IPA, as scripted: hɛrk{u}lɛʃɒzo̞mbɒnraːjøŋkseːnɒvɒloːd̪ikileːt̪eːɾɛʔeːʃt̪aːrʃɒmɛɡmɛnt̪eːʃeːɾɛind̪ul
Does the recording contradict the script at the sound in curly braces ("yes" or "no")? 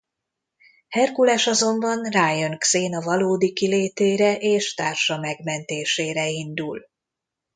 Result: no